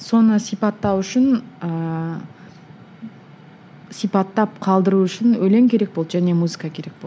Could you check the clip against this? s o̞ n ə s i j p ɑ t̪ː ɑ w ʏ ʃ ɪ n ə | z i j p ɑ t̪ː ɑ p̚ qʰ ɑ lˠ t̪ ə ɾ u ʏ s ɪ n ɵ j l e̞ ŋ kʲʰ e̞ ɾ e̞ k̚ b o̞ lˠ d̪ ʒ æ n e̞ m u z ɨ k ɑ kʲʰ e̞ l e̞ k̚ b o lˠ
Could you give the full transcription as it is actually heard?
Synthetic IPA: s o̞ n ə s i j p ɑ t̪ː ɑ w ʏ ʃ ɪ n ə | s i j p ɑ t̪ː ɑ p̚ qʰ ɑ lˠ d̪ ə ɾ u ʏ ʃ ɪ n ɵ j l e̞ ŋ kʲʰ e̞ ɾ e̞ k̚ b o̞ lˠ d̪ ʒ æ n e̞ m u z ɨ k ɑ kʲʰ e̞ ɾ e̞ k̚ b o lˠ